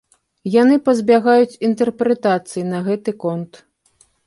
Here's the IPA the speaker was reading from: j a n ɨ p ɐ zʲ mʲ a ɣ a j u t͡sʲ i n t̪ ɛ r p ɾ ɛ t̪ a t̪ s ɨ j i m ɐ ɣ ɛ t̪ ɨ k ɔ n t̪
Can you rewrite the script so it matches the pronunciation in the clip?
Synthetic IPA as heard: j a n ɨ p ɐ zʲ bʲ a ɣ a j u t͡sʲ i n t̪ ɛ r p ɾ ɛ t̪ a t̪ s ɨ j i n ɐ ɣ ɛ t̪ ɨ k ɔ n t̪